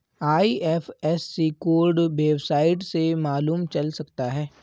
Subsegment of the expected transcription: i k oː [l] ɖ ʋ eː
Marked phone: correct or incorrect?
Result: incorrect